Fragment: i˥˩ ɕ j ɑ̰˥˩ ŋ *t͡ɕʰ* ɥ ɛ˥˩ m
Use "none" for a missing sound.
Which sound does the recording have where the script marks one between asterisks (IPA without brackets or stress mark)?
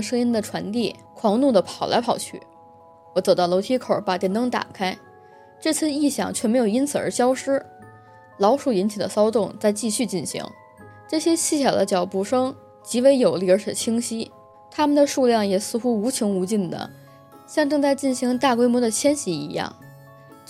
t͡ɕʰ